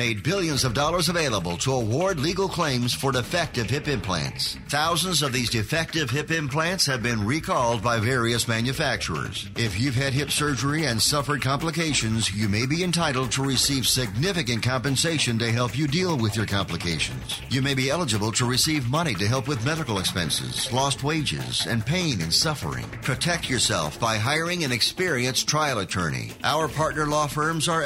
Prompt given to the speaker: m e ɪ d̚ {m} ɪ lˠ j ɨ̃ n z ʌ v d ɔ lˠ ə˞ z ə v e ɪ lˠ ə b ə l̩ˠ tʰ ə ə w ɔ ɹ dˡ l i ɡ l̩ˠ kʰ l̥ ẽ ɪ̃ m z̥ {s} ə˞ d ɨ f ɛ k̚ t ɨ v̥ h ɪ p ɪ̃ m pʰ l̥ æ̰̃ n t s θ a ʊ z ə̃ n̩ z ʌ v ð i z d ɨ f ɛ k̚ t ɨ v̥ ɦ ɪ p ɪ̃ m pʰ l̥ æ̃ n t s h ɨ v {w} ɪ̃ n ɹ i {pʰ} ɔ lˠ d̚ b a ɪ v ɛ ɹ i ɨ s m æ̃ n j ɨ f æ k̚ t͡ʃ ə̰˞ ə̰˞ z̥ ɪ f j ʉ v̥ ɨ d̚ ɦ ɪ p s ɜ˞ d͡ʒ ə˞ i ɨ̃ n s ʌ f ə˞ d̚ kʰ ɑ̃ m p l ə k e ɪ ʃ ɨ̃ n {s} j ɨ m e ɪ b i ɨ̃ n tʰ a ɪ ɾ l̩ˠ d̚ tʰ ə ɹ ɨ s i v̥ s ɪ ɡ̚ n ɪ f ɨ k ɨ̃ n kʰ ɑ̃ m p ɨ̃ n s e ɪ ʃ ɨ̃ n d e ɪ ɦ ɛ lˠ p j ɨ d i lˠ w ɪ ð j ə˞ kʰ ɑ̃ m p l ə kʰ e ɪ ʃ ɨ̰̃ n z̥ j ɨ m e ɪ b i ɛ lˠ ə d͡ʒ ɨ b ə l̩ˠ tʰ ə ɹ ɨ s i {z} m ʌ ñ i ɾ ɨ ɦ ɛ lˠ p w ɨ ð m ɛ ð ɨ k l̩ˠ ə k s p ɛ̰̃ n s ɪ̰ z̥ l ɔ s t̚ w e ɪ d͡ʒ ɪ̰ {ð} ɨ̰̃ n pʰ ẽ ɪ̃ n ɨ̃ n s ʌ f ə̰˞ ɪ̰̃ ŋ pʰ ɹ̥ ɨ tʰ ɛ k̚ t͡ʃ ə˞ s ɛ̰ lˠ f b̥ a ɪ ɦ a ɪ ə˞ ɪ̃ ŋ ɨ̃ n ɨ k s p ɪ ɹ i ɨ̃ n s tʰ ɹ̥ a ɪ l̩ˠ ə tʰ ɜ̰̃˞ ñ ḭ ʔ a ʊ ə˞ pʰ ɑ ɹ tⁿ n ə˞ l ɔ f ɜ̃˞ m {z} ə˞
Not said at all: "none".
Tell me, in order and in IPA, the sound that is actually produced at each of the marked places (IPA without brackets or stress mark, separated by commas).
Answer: b, f, b, kʰ, z, v, z, z